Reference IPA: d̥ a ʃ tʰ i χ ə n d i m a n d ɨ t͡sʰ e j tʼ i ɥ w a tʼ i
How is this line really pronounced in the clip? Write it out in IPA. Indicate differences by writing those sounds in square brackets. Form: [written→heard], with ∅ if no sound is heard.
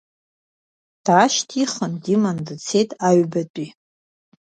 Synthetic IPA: d̥ a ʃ tʰ i χ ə n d i m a n d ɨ t͡sʰ e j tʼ [i→a] ɥ [w→b] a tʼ i